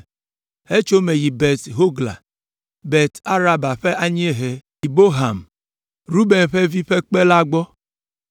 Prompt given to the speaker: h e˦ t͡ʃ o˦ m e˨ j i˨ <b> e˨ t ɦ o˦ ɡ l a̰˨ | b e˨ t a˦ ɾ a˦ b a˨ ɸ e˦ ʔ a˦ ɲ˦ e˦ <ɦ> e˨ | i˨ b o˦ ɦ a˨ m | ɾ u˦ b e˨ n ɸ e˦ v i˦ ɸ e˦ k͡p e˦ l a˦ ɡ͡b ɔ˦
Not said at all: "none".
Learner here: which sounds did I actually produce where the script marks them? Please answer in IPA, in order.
b, ɦ

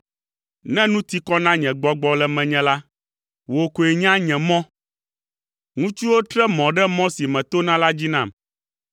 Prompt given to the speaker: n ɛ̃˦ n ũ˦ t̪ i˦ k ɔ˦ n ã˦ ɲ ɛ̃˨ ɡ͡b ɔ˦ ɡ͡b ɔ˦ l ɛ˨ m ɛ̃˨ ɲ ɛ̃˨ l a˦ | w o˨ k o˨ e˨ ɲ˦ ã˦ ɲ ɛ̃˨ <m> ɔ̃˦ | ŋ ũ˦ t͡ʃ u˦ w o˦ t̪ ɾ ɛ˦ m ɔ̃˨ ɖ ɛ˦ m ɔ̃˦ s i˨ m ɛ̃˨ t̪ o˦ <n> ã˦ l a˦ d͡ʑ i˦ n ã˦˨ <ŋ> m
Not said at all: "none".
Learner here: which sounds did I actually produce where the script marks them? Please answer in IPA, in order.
m, n, none

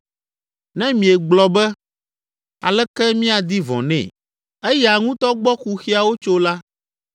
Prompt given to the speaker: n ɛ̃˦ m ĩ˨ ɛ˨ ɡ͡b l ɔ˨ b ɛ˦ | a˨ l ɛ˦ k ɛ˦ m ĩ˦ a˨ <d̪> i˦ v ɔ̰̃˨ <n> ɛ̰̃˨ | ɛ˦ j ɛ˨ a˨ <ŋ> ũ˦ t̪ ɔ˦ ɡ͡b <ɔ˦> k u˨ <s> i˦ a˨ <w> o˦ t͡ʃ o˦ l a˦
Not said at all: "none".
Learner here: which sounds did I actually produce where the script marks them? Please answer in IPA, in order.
d̪, n, ŋ, ɔ˦, x, w

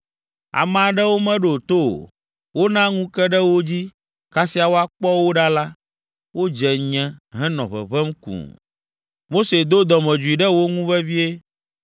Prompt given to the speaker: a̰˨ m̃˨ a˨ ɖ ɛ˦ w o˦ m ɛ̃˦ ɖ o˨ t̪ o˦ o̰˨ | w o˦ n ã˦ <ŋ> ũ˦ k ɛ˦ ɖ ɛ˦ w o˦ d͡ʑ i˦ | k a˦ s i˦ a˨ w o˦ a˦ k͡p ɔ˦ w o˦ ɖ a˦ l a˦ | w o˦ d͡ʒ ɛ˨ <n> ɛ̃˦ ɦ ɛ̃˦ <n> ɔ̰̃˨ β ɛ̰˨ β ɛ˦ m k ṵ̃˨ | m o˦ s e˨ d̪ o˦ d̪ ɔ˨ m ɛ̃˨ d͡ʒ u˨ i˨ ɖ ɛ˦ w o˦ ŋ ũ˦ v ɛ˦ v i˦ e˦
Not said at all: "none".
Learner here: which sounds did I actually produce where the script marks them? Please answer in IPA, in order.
ŋ, ɲ, n

